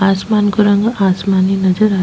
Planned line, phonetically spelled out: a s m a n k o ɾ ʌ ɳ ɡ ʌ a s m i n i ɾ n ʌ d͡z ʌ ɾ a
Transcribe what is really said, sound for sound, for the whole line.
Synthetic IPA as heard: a s m a n k o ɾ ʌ ŋ ɡ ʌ a s m a n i n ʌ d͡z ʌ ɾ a